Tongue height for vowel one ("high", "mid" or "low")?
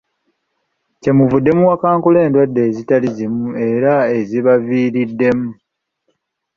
mid